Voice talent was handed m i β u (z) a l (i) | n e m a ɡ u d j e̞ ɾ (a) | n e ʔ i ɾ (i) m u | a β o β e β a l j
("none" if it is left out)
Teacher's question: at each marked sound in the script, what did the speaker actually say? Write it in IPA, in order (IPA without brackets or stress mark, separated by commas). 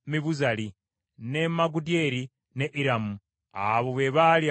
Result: z, i, i, a